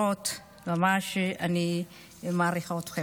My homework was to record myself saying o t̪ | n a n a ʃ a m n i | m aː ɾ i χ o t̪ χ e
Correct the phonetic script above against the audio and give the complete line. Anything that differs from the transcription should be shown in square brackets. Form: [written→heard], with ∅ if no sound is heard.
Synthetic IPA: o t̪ | [n→m] a [n→m] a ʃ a [m→∅] n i | m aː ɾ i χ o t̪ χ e